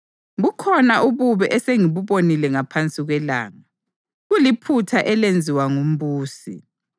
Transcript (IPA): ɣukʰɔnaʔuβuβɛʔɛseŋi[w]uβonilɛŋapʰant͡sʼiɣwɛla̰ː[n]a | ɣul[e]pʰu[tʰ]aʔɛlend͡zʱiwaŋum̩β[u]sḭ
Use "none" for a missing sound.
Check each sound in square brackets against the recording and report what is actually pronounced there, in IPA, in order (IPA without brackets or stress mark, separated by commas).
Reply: β, ŋ, i, tʰ, uː